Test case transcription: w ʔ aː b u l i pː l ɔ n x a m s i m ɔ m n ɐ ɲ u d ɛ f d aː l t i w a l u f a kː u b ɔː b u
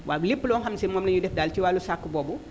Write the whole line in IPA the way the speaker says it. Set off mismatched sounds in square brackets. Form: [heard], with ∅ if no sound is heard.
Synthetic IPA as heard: w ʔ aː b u l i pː l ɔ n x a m s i m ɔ m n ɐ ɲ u d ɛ f d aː l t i w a l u [s] a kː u b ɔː b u